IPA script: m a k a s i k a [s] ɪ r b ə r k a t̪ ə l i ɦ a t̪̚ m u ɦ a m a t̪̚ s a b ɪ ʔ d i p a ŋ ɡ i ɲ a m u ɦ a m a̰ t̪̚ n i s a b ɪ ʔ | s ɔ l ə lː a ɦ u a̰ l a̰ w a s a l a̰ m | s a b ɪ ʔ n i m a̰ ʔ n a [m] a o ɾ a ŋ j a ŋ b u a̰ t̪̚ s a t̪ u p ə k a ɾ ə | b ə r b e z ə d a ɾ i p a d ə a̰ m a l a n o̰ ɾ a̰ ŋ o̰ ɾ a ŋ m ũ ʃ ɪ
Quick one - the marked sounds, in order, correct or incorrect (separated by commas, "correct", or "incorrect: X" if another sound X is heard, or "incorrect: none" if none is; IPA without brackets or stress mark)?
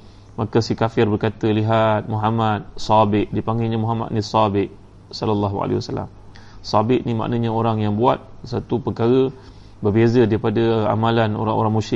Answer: incorrect: f, incorrect: ɲ